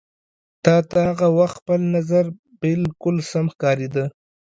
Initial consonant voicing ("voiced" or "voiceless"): voiceless